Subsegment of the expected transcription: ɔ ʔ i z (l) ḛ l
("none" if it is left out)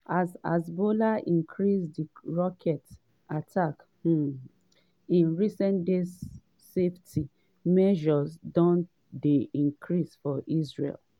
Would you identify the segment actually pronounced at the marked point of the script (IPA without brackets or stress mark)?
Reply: ɹ